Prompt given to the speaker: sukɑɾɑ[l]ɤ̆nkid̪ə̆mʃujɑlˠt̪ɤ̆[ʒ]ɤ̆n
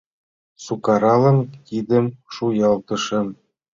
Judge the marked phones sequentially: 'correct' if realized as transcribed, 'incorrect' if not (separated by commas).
correct, incorrect